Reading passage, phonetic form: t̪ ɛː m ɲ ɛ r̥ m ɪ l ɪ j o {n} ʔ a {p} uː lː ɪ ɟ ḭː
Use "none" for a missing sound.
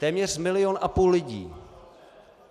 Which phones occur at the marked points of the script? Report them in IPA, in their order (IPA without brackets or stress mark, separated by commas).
n, p